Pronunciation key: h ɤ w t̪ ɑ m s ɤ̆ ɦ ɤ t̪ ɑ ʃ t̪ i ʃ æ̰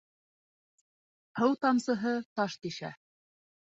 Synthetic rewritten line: h ɤ w t̪ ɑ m s ɤ̆ ɦ ɤ t̪ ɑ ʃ t̪ i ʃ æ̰